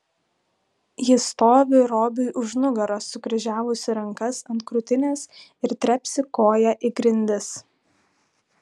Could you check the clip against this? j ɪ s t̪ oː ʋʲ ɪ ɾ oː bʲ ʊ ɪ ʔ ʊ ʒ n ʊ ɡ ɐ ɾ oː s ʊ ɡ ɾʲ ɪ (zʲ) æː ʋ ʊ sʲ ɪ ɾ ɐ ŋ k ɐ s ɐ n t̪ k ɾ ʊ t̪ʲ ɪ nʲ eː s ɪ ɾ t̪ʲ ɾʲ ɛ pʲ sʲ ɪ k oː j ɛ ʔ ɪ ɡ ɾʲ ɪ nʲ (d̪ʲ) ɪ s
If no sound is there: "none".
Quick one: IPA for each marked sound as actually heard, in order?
ʒʲ, d̪ʲ

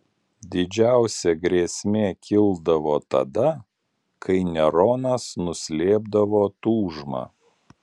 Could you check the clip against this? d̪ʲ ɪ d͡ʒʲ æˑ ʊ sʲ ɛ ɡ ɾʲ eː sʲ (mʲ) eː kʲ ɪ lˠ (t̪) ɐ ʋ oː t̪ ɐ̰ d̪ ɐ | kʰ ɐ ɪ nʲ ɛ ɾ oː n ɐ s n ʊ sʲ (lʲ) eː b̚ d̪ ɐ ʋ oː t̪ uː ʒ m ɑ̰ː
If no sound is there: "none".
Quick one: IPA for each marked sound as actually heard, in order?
mʲ, d̪, lʲ

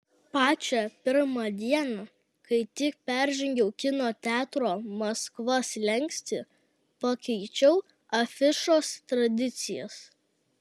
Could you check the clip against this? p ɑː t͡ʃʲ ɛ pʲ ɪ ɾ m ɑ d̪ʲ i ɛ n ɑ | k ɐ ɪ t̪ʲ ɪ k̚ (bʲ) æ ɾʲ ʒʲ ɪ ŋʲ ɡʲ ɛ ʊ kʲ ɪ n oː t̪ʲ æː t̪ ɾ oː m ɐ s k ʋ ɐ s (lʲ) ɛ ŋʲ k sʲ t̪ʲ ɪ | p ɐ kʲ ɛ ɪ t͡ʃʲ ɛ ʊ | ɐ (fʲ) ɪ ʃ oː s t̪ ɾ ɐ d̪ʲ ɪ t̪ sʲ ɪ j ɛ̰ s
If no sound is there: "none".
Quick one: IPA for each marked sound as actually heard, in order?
pʲ, lʲ, fʲ

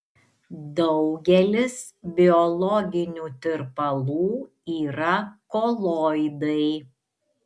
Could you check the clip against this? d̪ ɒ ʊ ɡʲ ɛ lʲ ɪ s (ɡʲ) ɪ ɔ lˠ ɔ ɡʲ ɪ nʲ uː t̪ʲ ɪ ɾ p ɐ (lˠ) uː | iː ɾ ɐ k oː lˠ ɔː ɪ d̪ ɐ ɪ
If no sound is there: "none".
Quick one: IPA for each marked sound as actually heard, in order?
bʲ, lˠ

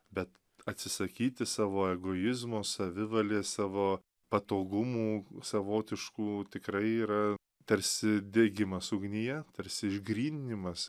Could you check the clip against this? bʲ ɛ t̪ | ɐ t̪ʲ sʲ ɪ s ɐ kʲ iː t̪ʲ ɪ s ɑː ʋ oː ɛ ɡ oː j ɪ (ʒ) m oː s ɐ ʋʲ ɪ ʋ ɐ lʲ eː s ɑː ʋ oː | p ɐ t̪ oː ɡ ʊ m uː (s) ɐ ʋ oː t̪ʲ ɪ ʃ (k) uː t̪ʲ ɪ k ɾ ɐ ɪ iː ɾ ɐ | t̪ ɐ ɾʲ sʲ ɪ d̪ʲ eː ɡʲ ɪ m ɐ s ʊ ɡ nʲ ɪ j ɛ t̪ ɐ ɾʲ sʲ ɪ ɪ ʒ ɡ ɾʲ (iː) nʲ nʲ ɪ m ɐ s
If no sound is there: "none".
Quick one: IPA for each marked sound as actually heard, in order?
z, s, k, iː

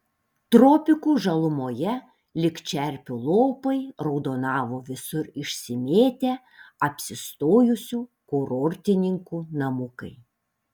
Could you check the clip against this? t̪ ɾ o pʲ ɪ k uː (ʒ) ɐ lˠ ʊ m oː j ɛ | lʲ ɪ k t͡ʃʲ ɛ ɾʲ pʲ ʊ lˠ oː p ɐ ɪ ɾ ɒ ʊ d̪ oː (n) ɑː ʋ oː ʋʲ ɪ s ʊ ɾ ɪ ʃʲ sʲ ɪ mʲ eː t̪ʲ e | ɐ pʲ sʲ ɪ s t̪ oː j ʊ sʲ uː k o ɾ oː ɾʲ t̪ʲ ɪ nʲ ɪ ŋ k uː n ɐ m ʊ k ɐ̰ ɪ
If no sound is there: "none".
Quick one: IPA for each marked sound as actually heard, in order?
ʒ, n

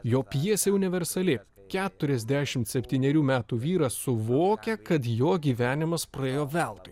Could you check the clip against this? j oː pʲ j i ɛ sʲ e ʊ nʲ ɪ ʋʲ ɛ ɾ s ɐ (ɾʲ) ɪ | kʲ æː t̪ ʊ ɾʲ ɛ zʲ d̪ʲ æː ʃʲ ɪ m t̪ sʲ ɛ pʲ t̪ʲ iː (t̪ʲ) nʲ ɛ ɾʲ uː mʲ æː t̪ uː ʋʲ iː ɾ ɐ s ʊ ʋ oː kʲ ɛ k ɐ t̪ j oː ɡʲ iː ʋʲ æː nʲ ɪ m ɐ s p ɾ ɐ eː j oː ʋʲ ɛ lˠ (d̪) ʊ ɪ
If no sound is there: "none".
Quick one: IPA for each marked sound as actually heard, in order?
lʲ, none, t̪

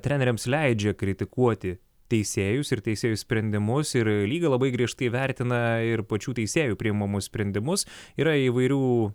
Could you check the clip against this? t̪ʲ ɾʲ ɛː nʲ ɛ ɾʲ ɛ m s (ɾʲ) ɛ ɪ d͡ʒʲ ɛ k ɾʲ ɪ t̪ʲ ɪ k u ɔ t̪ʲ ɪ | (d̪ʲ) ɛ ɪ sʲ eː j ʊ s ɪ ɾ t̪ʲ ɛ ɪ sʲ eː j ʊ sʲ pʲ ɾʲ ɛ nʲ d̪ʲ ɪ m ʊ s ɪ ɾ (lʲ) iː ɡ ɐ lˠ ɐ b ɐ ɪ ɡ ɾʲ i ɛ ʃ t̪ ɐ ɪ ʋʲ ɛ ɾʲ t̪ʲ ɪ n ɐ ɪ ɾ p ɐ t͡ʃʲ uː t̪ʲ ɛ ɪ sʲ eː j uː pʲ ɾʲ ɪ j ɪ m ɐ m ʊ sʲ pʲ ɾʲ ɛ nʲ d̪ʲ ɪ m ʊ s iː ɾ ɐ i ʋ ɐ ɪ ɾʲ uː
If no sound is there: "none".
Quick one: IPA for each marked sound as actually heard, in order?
lʲ, t̪ʲ, lʲ

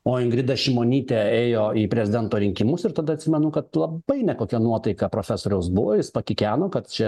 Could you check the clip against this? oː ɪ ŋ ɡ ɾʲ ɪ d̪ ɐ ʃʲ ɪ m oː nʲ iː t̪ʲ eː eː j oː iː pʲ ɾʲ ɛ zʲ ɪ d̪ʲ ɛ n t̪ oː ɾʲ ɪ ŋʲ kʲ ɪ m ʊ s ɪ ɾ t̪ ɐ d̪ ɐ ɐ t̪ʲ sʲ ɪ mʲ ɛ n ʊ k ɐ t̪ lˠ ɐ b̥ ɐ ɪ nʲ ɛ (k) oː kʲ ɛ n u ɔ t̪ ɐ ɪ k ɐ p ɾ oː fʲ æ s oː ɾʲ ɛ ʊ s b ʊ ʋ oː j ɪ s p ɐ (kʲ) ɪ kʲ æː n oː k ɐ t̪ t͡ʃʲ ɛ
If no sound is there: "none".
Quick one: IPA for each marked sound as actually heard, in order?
k, kʲ

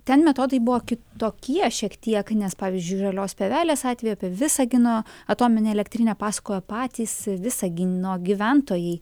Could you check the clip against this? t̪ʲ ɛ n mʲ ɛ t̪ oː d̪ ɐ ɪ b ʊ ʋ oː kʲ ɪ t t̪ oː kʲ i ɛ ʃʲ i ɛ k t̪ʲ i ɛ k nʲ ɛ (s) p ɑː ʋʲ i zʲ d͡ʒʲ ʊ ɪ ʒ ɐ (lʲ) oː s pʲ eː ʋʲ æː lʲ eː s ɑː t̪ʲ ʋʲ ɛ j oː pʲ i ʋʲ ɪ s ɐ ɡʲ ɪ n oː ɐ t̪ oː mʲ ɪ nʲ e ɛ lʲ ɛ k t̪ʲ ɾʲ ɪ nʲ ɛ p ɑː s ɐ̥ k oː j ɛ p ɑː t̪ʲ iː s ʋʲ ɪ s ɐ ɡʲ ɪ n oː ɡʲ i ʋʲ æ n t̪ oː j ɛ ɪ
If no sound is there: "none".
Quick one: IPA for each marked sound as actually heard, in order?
s, lʲ

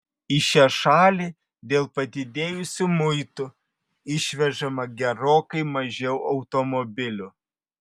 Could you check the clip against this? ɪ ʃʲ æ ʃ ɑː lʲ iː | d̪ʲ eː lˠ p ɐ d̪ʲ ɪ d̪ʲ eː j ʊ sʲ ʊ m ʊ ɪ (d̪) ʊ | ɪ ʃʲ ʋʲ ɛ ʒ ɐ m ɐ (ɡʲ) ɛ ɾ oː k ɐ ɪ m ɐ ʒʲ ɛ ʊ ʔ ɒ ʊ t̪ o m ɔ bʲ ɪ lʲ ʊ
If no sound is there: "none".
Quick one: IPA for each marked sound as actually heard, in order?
t̪, ɡʲ

